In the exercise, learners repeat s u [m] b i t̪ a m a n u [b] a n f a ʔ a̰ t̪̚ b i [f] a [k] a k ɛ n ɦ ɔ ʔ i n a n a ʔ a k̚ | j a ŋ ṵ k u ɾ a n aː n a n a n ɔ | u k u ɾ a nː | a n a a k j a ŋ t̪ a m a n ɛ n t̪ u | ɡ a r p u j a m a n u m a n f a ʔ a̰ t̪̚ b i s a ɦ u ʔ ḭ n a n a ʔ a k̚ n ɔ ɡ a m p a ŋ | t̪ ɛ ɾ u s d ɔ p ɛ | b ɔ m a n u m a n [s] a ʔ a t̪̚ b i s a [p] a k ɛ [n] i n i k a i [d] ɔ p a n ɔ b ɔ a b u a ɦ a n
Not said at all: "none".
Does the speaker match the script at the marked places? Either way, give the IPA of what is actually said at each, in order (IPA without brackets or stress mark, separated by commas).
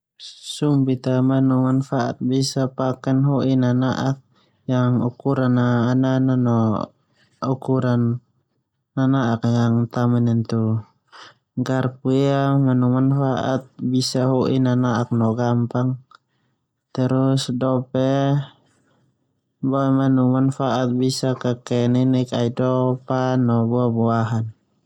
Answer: m, m, s, p, f, k, n, d